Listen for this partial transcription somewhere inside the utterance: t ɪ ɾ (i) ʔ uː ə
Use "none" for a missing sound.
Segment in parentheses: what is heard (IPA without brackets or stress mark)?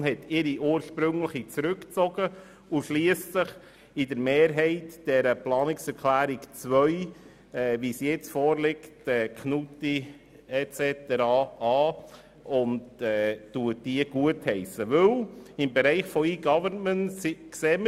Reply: i